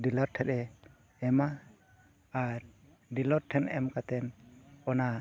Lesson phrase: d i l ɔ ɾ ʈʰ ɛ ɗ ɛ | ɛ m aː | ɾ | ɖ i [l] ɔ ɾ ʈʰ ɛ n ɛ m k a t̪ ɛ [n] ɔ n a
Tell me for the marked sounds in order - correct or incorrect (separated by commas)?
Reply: correct, correct